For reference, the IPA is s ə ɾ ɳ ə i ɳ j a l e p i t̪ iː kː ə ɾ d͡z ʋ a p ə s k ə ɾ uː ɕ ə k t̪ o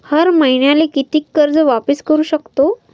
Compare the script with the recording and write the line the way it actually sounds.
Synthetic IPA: h ə ɾ m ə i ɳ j a l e k i t̪ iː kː ə ɾ d͡z ʋ a p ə s k ə ɾ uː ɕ ə k t̪ o